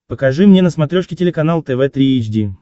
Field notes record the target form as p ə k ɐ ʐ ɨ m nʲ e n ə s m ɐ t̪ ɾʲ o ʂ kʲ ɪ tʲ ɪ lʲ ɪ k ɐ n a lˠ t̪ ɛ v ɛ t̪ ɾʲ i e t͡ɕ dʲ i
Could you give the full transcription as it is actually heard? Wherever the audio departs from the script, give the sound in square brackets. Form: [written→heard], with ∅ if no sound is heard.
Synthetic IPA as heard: p ə k ɐ ʐ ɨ m nʲ e n ə s m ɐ t̪ ɾʲ o ʂ kʲ ɪ tʲ ɪ lʲ ɪ k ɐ n a lˠ t̪ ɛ v ɛ t̪ ɾʲ i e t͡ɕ dʲ i